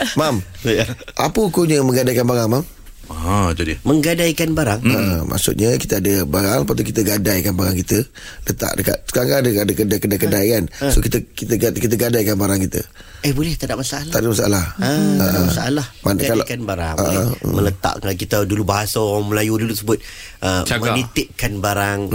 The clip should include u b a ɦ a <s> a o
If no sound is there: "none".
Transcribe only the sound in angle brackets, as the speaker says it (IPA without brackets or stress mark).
s